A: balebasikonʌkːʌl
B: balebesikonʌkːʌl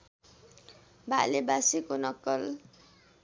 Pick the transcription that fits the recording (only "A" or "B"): A